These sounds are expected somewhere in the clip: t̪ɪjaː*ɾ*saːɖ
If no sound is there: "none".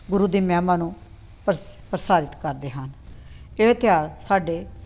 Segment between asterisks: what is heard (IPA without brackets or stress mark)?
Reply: ɾ